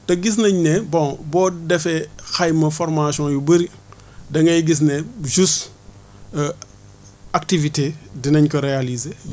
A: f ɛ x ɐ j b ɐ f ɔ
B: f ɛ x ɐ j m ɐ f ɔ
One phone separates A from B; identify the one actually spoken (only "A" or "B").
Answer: B